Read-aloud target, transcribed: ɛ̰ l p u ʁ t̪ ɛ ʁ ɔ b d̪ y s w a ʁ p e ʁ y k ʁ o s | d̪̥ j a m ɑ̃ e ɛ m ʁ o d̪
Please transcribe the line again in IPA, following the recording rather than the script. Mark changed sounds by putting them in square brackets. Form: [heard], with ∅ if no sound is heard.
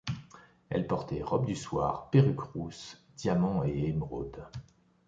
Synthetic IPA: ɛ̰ l p [ɔ] ʁ t̪ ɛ ʁ ɔ b d̪ y s w a ʁ p e ʁ y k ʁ [u] s | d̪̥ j a m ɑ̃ e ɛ m ʁ o d̪